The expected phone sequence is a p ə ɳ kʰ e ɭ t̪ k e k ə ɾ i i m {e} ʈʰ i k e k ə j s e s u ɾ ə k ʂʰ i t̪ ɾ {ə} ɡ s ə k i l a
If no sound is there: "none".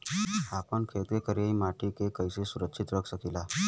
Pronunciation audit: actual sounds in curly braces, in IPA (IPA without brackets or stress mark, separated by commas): a, ə